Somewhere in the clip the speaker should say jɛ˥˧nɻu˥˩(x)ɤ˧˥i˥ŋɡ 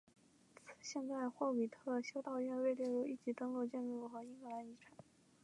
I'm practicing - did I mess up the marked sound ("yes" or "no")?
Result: no